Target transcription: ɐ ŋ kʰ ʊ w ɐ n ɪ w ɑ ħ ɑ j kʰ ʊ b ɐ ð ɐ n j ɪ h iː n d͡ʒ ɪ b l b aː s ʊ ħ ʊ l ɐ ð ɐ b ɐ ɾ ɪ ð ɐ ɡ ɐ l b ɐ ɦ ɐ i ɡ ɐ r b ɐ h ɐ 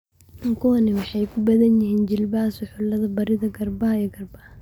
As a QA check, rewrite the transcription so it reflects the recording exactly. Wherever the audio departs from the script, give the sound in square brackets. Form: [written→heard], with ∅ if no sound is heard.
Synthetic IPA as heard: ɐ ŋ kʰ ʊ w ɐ n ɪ w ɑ ħ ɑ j kʰ ʊ b ɐ ð ɐ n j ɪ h iː n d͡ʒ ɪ [b→∅] l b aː s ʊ ħ ʊ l ɐ ð ɐ b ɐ ɾ ɪ ð ɐ ɡ ɐ [l→r] b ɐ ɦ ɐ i ɡ ɐ r b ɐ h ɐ